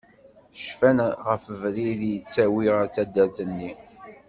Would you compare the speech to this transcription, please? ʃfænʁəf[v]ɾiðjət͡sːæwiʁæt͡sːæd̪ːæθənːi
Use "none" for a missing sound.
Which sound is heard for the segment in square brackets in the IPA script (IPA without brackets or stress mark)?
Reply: v